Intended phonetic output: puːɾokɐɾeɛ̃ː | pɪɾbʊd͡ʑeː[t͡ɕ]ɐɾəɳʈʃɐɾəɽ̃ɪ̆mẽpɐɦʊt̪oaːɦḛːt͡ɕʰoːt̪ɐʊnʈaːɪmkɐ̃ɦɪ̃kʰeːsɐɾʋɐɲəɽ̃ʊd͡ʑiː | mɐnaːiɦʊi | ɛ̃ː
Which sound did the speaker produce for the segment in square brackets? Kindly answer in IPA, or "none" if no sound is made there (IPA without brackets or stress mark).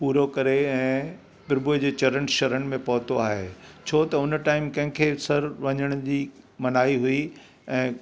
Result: t͡ɕ